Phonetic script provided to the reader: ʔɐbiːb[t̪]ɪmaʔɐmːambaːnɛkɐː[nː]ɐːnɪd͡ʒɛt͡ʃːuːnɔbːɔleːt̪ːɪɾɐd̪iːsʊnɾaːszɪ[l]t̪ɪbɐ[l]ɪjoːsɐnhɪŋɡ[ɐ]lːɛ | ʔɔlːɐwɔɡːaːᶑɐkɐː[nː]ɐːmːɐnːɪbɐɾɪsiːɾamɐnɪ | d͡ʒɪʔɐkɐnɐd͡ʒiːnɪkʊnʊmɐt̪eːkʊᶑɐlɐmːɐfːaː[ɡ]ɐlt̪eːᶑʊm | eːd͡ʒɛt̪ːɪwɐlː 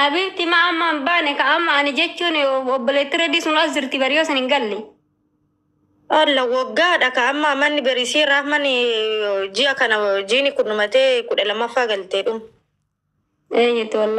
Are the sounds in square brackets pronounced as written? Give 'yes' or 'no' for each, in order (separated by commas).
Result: yes, no, no, no, yes, no, yes